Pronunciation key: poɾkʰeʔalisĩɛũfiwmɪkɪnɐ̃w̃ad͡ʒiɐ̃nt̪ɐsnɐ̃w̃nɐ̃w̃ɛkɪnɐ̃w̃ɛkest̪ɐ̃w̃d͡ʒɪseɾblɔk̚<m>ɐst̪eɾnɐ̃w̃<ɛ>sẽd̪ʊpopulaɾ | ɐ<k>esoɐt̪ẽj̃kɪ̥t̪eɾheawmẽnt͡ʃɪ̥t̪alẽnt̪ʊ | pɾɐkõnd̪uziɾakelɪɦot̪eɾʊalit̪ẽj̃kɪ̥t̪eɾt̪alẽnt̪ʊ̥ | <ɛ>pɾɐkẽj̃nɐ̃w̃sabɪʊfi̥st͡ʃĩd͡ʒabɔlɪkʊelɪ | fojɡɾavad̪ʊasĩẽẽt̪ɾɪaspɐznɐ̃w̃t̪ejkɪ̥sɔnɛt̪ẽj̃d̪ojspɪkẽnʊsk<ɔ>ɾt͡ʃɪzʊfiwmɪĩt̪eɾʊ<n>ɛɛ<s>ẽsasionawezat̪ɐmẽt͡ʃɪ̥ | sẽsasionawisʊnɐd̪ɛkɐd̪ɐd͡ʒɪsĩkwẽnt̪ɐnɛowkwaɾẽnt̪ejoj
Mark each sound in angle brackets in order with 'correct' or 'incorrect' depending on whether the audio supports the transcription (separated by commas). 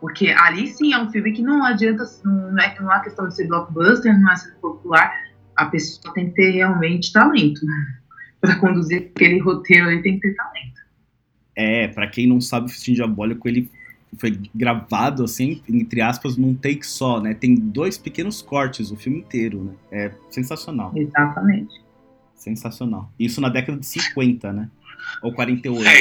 incorrect, correct, incorrect, correct, correct, correct, correct